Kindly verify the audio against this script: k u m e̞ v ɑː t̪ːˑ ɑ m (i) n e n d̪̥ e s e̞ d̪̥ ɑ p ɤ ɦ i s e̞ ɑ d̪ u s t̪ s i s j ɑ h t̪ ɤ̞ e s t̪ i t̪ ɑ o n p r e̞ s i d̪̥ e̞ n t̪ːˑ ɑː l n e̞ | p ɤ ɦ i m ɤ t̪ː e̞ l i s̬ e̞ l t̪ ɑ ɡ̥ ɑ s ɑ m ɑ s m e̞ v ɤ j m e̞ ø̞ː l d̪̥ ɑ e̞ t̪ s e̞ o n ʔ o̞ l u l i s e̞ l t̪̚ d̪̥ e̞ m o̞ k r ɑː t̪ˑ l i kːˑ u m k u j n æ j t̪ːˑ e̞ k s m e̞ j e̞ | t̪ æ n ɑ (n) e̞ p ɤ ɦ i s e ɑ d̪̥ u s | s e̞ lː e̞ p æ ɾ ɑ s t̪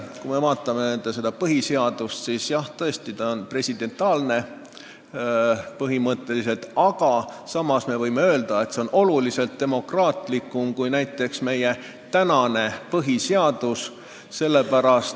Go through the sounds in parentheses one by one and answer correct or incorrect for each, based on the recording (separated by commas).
incorrect, correct